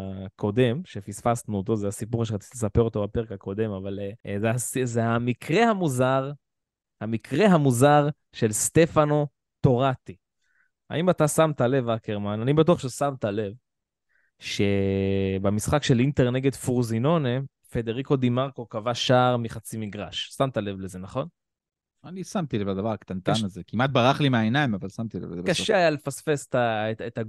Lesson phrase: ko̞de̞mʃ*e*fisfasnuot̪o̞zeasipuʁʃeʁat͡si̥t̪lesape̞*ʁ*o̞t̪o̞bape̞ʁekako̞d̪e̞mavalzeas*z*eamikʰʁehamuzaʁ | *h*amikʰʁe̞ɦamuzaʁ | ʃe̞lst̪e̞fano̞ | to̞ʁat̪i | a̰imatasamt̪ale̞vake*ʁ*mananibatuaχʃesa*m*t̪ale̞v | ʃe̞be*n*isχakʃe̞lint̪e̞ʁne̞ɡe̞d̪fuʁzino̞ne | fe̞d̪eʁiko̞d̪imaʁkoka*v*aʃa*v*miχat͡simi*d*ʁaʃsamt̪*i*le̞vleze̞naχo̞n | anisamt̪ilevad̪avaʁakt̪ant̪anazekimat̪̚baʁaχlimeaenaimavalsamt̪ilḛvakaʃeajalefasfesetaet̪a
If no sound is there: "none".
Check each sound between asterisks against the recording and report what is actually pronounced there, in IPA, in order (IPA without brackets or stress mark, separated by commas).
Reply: e, ʁ, z, h, ʁ, m, m, v, ʁ, ɡ, a